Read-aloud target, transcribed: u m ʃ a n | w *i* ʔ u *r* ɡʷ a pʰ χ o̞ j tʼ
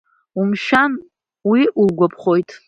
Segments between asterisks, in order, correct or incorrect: correct, incorrect: l

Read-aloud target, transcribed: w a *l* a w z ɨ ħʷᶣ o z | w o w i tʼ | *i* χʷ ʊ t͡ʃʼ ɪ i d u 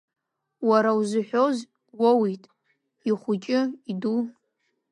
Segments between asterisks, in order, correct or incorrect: incorrect: ɾ, correct

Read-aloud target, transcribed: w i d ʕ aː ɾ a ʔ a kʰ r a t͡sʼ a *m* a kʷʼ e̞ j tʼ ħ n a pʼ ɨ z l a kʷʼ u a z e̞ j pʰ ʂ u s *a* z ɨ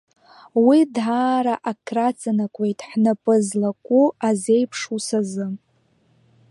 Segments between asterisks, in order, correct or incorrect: incorrect: n, correct

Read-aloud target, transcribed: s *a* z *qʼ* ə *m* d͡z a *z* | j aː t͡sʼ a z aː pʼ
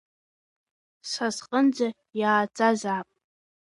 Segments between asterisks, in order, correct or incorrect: correct, correct, incorrect: n, incorrect: none

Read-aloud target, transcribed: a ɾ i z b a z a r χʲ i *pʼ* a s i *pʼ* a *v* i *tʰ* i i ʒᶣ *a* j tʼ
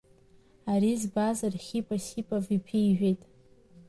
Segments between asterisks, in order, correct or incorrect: correct, correct, correct, incorrect: pʰ, incorrect: e

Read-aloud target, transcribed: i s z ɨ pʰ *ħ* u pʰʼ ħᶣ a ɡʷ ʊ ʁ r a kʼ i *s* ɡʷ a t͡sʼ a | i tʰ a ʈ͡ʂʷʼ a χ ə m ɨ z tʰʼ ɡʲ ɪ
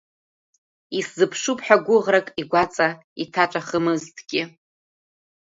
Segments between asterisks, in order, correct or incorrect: incorrect: ʂ, incorrect: none

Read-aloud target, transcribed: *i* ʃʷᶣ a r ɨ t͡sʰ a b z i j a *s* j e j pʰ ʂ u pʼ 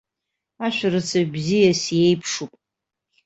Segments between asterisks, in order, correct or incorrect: incorrect: a, correct

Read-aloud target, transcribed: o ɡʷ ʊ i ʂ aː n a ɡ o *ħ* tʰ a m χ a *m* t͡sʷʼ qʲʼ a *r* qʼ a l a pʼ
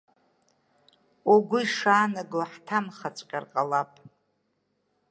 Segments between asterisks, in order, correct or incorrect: correct, incorrect: none, correct

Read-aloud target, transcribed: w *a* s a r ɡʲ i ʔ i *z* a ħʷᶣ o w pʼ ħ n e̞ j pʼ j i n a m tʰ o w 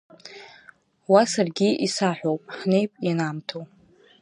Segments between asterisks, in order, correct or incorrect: correct, incorrect: s

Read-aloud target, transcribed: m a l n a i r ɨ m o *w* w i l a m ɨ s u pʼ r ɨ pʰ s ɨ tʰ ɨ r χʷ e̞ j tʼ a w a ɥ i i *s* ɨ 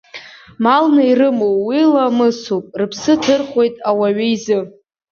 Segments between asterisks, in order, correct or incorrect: correct, incorrect: z

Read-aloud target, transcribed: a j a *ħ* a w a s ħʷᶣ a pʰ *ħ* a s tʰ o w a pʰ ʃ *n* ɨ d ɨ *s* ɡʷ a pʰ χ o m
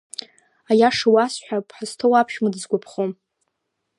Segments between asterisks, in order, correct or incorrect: incorrect: ʂ, correct, incorrect: m, incorrect: z

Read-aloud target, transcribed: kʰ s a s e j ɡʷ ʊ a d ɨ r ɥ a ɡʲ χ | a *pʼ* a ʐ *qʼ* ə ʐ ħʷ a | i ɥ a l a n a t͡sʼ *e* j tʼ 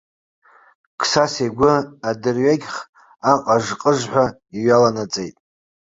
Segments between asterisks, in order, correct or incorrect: incorrect: qʼ, correct, correct

